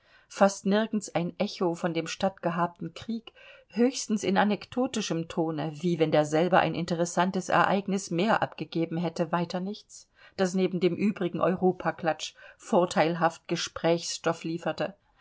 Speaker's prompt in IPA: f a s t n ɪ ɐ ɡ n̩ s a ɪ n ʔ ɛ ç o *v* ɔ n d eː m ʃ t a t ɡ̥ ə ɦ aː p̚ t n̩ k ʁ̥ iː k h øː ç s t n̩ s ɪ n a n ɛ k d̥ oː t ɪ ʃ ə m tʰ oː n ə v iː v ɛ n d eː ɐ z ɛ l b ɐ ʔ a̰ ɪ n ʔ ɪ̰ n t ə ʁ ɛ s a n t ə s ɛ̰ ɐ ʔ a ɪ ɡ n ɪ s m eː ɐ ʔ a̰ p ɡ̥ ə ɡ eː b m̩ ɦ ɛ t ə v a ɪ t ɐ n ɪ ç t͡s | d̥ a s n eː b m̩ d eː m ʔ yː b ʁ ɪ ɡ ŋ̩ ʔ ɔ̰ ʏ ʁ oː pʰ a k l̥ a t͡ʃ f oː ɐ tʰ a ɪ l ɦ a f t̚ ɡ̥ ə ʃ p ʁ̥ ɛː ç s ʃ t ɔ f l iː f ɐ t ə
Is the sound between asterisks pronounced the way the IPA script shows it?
no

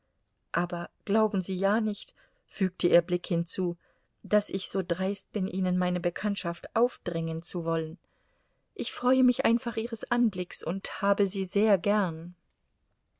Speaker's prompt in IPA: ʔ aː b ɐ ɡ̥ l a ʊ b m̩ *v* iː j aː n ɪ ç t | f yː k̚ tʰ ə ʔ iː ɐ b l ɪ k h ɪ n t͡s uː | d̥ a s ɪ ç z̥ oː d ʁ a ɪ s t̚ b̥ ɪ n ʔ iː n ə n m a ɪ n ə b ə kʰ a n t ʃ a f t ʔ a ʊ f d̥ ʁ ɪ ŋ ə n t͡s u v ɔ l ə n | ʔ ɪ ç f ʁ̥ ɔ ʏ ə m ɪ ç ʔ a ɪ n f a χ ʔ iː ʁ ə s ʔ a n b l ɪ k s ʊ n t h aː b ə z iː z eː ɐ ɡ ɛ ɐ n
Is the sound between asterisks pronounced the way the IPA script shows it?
no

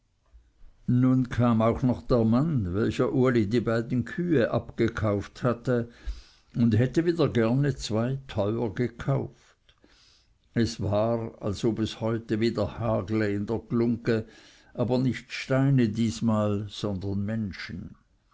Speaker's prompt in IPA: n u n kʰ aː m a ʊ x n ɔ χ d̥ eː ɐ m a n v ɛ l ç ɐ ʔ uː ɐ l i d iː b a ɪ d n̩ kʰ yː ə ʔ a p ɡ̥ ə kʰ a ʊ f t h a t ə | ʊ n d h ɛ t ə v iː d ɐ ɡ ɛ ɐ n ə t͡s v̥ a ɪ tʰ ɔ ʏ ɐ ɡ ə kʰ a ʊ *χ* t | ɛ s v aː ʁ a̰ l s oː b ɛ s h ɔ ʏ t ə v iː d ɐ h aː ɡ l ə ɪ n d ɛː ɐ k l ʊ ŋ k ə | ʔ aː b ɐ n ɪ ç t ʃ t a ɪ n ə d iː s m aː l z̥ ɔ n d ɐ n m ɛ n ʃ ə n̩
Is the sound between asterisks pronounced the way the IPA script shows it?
no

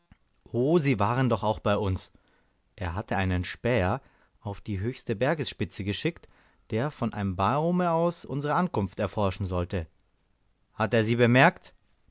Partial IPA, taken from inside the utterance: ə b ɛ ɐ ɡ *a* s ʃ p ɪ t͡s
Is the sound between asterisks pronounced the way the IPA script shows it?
no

